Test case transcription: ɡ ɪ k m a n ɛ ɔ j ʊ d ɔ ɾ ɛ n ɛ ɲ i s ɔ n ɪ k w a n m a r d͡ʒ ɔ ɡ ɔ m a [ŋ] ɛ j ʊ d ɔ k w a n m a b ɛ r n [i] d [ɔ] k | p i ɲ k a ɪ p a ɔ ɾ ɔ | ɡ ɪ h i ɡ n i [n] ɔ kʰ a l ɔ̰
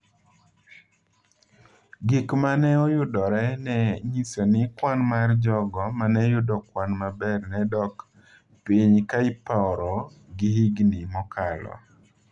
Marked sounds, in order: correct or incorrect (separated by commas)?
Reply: incorrect, incorrect, correct, incorrect